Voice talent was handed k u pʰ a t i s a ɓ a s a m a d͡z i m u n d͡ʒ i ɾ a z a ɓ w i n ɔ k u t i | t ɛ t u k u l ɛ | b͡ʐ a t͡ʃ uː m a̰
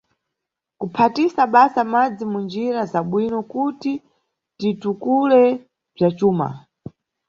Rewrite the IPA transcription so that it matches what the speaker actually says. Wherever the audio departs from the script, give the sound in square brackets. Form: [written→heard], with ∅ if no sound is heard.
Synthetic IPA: k u pʰ a t i s a ɓ a s a m a d͡z i m u n d͡ʒ i ɾ a z a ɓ w i n ɔ k u t i | t [ɛ→i] t u k u l ɛ | b͡ʐ a t͡ʃ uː m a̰